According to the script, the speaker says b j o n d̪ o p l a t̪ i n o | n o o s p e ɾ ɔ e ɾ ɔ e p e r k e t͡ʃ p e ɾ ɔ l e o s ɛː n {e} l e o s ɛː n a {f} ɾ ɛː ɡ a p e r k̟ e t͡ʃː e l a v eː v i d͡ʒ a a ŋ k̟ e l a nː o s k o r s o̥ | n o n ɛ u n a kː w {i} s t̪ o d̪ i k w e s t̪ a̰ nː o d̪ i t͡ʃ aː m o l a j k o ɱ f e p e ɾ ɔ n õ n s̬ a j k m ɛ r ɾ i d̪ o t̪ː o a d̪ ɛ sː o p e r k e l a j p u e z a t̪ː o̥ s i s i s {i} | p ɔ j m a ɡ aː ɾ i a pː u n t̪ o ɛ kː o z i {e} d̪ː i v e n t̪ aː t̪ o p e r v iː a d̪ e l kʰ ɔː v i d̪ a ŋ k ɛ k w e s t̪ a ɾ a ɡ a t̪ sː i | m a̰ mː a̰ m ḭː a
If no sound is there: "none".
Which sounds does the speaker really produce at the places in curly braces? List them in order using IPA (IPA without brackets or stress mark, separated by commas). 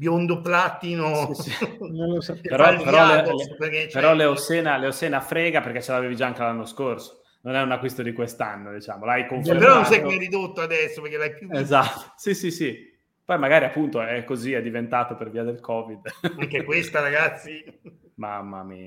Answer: a, f, i, i, ɛ